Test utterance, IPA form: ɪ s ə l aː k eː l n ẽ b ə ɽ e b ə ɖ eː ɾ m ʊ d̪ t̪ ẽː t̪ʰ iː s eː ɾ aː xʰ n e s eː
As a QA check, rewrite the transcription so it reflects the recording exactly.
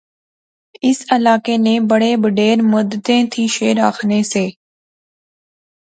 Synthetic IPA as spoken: ɪ s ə l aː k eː n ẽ b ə ɽ e b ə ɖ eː ɾ m ʊ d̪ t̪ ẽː t̪ʰ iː ʃ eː ɾ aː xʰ n e s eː